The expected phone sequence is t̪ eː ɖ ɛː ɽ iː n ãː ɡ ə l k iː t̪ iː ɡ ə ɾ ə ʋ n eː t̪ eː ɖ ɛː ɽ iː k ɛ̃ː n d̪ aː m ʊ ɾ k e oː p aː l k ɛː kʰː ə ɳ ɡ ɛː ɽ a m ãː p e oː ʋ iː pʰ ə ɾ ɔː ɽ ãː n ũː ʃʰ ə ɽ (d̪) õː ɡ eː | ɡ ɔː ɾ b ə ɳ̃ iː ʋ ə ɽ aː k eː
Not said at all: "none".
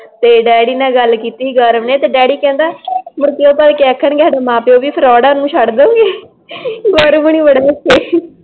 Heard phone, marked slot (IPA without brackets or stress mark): d̪